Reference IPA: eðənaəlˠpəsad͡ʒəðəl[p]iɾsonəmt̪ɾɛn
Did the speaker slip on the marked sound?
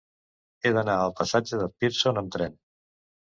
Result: no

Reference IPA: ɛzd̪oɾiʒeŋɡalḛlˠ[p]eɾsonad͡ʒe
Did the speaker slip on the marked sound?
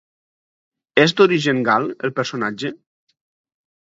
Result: no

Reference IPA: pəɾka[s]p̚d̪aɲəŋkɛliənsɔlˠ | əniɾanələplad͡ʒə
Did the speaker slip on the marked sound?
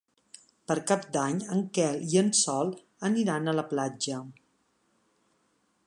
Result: yes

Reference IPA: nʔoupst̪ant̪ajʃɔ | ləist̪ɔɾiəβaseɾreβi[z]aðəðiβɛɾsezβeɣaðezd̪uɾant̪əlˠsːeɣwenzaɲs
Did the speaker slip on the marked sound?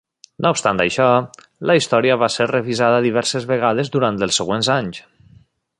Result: no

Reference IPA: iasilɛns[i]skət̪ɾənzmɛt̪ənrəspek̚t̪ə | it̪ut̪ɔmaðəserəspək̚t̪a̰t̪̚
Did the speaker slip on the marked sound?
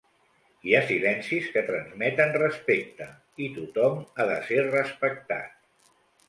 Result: no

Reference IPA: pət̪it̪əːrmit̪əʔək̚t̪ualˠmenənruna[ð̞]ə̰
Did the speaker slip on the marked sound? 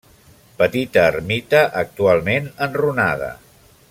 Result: no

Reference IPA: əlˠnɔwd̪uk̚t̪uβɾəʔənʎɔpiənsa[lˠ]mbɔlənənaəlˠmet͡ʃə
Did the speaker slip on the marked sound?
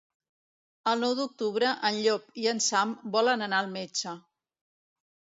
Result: yes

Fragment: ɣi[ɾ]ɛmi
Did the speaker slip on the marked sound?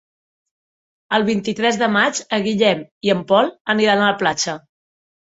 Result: yes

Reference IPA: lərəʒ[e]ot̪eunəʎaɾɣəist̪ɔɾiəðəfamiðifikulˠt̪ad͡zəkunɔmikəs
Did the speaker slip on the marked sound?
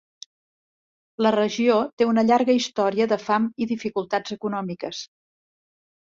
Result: yes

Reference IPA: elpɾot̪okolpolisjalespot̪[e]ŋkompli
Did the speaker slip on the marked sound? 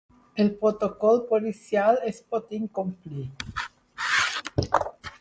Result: yes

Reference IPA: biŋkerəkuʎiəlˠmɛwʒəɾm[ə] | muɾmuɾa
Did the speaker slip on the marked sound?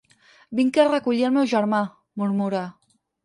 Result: yes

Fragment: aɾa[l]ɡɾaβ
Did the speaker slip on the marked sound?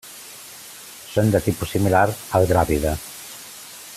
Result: no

